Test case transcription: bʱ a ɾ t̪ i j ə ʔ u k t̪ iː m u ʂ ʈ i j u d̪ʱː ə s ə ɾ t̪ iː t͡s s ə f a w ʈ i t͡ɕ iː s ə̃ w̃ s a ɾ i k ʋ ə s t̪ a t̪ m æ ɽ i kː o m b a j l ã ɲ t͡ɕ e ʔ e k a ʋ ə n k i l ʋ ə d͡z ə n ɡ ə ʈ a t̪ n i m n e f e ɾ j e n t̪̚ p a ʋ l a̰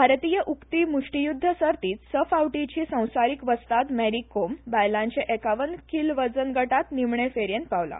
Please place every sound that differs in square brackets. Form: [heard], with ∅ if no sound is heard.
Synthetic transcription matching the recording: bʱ a ɾ t̪ i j ə ʔ u k t̪ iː m u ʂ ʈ i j u d̪ʱː ə s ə ɾ t̪ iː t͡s s ə f a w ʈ i t͡ɕ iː s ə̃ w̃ s a ɾ i k ʋ ə s t̪ a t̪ m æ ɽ i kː o m b a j l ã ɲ t͡ɕ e ʔ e k a ʋ ə n k i l ʋ ə d͡z ə n ɡ ə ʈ a t̪ n i m [ɳ] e f e ɾ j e n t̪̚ p a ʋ l a̰